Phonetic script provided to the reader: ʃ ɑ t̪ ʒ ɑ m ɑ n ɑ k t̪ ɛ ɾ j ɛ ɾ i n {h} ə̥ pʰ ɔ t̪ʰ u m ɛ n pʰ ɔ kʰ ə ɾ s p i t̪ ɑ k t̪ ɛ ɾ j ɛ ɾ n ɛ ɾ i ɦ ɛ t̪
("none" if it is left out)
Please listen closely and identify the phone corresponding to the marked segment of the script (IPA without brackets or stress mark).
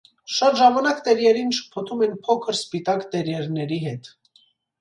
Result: ʃ